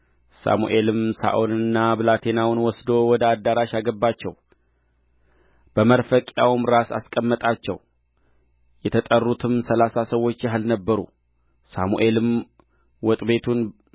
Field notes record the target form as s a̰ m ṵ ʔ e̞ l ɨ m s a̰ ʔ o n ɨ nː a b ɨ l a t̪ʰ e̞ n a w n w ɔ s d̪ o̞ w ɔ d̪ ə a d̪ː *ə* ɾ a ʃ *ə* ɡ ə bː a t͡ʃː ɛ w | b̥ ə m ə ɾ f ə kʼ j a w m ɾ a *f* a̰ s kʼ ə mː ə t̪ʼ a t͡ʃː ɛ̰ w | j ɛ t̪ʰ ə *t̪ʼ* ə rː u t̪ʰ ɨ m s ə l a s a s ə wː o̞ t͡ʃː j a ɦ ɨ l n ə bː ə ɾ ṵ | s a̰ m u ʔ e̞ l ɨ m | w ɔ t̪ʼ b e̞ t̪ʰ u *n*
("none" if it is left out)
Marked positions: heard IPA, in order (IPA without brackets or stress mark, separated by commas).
a, a, s, t̪ʼ, n